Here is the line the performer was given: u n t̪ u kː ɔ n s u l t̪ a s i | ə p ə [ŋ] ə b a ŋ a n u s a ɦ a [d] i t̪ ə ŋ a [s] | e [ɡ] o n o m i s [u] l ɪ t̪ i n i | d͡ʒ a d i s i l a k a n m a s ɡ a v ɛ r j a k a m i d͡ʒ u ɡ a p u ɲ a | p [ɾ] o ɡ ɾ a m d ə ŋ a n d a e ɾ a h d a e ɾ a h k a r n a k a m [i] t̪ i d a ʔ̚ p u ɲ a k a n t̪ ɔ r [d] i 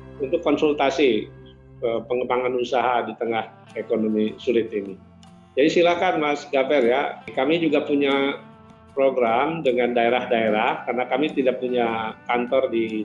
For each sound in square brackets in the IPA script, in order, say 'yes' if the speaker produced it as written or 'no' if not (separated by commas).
yes, yes, no, no, yes, yes, yes, yes